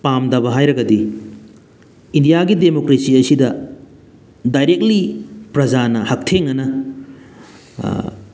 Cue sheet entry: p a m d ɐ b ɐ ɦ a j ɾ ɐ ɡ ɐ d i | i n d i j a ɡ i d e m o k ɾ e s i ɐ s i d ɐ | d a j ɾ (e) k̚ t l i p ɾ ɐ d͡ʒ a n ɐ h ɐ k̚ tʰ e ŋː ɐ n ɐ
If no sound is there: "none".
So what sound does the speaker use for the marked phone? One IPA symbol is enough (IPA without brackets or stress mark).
e